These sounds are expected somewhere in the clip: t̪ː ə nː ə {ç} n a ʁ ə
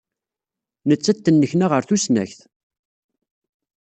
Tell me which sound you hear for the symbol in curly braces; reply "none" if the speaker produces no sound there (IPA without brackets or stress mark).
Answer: ç